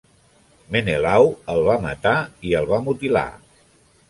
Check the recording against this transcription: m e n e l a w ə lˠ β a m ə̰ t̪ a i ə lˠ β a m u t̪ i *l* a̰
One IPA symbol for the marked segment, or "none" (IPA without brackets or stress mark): l